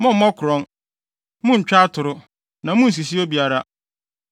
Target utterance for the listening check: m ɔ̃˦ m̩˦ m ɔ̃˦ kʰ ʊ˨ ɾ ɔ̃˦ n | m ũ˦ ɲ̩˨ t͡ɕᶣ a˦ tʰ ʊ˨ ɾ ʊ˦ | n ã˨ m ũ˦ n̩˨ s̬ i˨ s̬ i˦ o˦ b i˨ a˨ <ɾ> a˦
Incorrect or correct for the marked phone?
correct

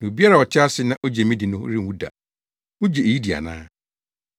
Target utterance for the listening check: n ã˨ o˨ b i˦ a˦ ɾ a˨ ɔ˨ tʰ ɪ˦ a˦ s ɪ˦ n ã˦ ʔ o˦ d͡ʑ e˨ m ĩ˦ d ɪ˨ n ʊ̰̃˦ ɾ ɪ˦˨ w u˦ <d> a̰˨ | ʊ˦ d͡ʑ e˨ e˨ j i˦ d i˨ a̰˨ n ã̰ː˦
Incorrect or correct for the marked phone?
correct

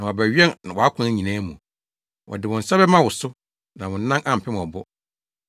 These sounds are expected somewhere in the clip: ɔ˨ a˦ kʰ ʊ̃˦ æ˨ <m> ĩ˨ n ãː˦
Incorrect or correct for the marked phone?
incorrect: ɲ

